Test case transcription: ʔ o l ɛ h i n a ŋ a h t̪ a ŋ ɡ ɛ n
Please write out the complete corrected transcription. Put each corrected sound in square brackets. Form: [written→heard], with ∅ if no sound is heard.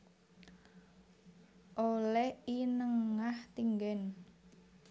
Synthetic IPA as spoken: ʔ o l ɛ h i n [a→ə] ŋ a h t̪ [a→i] ŋ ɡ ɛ n